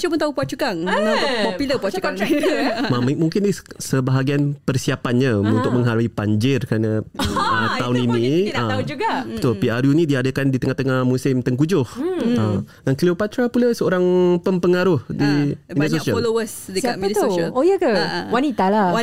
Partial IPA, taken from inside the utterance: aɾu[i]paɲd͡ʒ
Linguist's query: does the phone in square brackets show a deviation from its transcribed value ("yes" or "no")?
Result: no